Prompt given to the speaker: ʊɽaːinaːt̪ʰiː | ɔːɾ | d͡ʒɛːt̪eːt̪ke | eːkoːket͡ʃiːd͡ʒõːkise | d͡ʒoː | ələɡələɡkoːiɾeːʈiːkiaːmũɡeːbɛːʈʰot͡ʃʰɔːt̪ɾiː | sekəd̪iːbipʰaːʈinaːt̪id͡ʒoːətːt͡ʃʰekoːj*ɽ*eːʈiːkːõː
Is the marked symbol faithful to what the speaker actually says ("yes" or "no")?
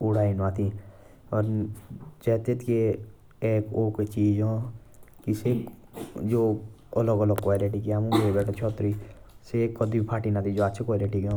no